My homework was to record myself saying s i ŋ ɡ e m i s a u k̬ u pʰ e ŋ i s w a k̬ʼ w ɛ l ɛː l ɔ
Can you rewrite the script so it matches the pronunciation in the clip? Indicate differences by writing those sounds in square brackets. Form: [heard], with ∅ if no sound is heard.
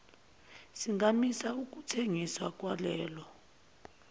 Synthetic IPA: s i ŋ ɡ [a] m i s a u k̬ u [tʰ] e ŋ i s w a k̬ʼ w [a] l ɛː l ɔ